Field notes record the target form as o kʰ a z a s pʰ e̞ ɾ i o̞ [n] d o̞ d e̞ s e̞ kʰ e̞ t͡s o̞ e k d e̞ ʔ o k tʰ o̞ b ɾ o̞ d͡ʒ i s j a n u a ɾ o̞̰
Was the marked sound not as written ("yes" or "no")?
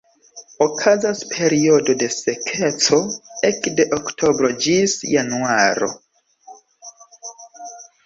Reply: yes